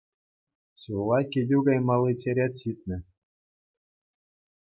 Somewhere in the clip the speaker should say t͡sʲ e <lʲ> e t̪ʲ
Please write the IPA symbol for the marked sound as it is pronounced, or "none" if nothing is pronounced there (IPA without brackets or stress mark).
ɾʲ